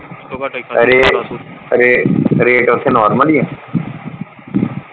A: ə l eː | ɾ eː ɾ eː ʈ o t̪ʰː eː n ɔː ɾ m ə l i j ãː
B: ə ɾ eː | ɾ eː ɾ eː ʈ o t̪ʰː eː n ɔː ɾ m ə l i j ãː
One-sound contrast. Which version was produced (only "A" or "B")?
B